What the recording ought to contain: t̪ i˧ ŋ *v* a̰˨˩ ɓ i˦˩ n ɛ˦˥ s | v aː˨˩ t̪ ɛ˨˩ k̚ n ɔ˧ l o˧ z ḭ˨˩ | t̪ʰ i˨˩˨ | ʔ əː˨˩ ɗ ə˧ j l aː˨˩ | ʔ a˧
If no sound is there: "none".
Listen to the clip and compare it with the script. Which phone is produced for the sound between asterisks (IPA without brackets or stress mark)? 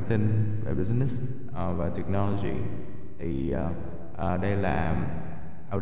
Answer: v